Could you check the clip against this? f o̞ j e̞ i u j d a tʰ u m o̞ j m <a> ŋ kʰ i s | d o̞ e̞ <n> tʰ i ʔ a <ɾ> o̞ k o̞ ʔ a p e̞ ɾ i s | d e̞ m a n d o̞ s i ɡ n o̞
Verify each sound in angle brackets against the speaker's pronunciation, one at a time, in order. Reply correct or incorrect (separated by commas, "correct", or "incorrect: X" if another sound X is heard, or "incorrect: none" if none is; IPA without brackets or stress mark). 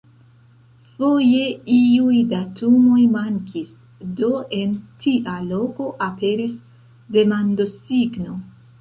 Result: correct, correct, incorrect: l